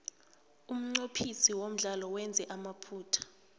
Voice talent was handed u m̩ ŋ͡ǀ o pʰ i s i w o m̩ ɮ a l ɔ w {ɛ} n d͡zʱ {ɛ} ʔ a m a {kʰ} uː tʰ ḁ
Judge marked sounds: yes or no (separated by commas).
yes, yes, no